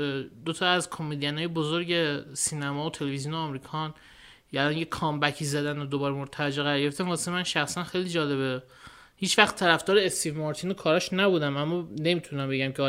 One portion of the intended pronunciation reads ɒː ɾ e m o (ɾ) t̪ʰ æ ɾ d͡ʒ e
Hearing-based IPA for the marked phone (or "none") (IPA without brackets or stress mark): ɾ